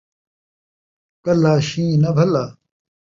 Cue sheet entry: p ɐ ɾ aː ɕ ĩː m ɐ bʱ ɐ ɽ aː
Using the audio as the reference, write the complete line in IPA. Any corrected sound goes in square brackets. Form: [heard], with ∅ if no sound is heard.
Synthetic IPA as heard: [k] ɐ [l] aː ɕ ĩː [n] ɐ bʱ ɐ [l] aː